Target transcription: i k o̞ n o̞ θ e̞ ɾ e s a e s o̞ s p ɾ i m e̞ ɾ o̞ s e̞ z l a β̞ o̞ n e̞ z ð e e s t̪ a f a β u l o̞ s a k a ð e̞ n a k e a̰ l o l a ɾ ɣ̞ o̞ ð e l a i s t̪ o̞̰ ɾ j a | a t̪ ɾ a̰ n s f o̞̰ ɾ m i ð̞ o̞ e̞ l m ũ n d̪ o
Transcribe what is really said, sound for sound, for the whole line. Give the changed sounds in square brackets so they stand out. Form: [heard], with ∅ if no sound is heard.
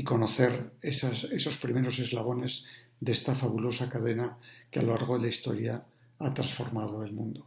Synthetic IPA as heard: i k o̞ n o̞ θ e̞ ɾ e s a e s o̞ s p ɾ i m e̞ ɾ o̞ s e̞ z l a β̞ o̞ n e̞ z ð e e s t̪ a f a β u l o̞ s a k a ð e̞ n a k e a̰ l o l a ɾ ɣ̞ o̞ ð e l a i s t̪ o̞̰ ɾ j a | a t̪ ɾ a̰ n s f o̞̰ ɾ m [a] ð̞ o̞ e̞ l m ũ n d̪ o